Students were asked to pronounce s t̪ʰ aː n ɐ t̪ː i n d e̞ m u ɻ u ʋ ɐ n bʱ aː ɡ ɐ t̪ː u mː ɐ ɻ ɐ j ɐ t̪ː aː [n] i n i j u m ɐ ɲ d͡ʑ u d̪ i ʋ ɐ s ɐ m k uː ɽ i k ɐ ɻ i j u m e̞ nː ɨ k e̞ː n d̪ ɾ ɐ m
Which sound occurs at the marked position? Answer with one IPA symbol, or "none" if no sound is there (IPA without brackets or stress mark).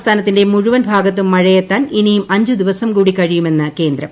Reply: n